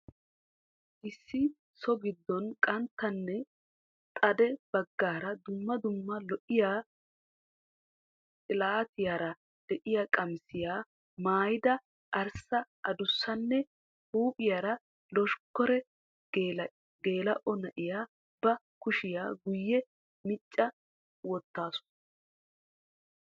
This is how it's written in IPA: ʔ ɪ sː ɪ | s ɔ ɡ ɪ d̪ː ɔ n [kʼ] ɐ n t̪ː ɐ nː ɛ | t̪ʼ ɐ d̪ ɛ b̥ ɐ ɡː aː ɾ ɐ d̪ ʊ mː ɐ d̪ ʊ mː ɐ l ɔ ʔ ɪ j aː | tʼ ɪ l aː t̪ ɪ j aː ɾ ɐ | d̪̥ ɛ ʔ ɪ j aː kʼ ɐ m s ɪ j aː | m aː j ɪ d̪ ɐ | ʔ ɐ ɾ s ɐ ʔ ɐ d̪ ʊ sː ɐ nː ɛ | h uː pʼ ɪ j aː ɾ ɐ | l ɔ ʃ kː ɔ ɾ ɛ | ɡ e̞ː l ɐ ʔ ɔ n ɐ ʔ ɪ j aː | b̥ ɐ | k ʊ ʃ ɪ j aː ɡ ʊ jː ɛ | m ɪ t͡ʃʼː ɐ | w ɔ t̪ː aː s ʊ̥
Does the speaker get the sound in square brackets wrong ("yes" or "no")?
no